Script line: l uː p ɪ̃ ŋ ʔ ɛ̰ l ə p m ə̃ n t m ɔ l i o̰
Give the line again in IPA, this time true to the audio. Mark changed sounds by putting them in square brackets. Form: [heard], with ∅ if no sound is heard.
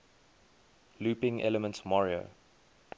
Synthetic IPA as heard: l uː p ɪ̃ ŋ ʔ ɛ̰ l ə [∅] m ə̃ n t m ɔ [ɹ] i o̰